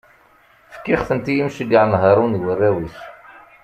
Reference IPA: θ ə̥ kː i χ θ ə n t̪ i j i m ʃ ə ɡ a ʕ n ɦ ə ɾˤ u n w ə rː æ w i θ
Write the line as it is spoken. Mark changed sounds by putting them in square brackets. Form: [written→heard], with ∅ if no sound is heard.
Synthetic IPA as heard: [θ→f] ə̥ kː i χ θ ə n t̪ i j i m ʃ ə ɡ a ʕ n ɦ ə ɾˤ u n w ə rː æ w i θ